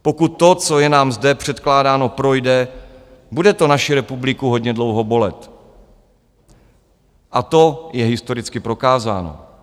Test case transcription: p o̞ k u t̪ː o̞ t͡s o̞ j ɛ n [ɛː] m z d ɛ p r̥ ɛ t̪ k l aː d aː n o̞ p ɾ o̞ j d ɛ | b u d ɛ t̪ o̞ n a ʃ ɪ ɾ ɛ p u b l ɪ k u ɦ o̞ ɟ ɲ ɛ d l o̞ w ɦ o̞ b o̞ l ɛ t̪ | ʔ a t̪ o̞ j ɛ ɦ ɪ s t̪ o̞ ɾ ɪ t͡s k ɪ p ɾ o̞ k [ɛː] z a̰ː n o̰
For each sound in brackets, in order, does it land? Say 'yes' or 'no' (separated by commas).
no, no